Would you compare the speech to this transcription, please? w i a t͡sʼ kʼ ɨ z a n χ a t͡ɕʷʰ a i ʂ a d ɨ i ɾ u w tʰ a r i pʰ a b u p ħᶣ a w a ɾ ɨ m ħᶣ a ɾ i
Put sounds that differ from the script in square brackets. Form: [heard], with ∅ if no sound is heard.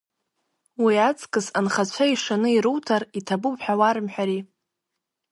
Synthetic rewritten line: w i a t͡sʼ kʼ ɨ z a n χ a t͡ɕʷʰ a i ʂ a [n] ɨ i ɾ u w tʰ a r i [tʰ] a b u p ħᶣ a w a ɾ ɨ m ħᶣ a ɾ i